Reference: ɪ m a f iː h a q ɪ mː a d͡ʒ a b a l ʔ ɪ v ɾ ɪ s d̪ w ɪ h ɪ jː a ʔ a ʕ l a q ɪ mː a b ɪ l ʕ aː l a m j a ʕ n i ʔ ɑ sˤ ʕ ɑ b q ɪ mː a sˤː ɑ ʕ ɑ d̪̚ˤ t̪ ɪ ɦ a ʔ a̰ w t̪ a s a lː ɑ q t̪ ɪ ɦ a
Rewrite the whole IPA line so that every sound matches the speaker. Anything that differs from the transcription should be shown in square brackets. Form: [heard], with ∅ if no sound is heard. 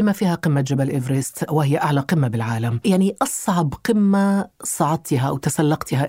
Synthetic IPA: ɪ m a f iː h a q ɪ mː a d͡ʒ a b a l ʔ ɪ v ɾ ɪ s [t̪] w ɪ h ɪ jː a ʔ a ʕ l a q ɪ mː a b ɪ l ʕ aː l a m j a ʕ n i ʔ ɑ sˤ ʕ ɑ b q ɪ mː a [sˤ] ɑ ʕ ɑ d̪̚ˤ t̪ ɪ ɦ a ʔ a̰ w t̪ a s a lː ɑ q t̪ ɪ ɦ a